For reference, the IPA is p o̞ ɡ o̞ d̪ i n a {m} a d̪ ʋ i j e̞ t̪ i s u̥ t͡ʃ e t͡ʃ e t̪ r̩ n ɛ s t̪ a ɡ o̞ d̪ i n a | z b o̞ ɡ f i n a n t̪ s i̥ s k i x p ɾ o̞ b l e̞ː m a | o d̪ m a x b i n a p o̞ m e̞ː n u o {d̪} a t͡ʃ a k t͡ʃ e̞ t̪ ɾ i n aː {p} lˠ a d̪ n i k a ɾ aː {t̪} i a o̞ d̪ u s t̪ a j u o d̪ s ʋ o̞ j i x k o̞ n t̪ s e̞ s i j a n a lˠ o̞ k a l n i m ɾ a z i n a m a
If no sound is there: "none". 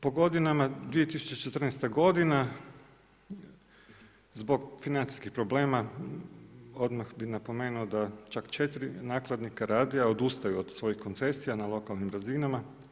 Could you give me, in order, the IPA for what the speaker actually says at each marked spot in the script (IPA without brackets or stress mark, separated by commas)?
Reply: m, d̪, k, d̪